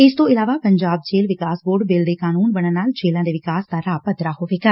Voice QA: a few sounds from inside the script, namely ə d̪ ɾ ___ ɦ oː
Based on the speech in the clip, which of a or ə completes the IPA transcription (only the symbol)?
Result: a